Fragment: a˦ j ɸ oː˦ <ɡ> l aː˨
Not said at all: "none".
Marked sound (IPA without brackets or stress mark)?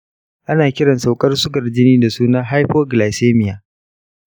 ɡ